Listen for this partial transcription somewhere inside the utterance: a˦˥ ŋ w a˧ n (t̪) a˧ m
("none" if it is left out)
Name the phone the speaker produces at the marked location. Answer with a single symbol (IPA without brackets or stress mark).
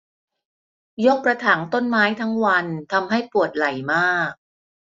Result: t̪ʰ